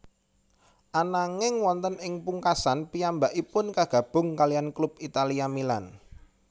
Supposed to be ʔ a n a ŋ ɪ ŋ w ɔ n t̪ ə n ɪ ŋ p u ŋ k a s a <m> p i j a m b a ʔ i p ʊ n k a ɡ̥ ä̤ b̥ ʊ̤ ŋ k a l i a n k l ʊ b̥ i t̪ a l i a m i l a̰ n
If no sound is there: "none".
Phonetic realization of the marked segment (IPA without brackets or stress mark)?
n